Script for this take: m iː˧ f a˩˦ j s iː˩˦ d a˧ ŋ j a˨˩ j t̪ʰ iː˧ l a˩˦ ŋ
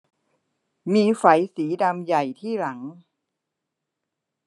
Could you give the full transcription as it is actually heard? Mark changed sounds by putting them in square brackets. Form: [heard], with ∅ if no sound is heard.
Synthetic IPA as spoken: m iː˧ f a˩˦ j s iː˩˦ d a˧ [m] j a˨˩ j t̪ʰ [iː˥˩] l a˩˦ ŋ